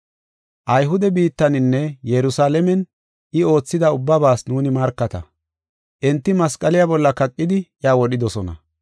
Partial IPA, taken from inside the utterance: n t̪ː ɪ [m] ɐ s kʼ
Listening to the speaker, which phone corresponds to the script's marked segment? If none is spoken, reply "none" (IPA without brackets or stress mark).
m